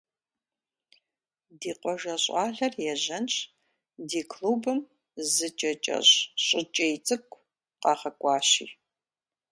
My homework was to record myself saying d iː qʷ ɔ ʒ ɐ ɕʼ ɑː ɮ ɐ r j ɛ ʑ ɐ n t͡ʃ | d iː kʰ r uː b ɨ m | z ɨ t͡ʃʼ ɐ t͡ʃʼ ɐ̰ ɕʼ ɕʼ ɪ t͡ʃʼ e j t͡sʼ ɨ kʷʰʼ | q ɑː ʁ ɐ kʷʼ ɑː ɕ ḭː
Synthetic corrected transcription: d iː qʷ ɔ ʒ ɐ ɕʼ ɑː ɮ ɐ r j ɛ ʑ ɐ n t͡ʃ | d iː kʰ l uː b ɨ m | z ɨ t͡ʃʼ ɐ t͡ʃʼ ɐ̰ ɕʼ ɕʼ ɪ t͡ʃʼ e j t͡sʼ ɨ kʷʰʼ | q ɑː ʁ ɐ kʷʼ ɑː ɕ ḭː